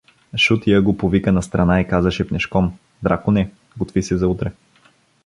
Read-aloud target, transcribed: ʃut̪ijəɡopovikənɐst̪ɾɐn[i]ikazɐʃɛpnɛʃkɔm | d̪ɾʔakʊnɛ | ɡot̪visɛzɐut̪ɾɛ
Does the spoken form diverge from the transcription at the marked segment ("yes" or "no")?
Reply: yes